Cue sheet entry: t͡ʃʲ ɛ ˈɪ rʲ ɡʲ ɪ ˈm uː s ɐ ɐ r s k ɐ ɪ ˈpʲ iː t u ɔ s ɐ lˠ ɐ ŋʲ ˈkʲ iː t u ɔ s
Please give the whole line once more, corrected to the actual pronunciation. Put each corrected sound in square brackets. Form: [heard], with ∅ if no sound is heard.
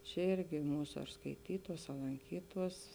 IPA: t͡ʃʲ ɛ ˈɪ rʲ ɡʲ ɪ ˈm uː s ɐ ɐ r s k ɐ ɪ [ˈtʲ] iː t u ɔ s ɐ lˠ ɐ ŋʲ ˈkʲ iː t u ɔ s